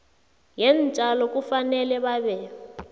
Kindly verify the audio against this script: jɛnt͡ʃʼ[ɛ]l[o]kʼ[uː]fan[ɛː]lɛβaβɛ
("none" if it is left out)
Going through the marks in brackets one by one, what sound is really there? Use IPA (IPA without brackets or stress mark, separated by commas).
a, ɔ, u, ɛ